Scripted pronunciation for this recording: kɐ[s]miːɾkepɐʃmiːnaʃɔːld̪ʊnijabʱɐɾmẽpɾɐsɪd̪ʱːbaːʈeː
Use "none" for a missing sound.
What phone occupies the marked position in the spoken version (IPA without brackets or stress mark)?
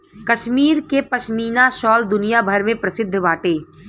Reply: ʃ